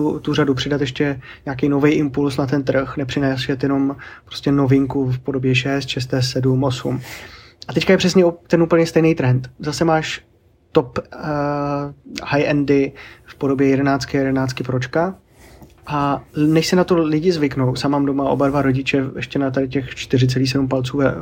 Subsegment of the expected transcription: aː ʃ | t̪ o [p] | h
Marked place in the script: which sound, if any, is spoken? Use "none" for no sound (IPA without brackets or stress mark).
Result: p